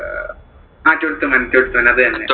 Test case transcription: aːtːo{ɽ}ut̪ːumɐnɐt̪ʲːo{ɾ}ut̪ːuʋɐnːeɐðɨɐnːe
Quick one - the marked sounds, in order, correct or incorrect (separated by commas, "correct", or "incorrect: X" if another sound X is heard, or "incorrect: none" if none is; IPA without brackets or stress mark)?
correct, incorrect: ɽ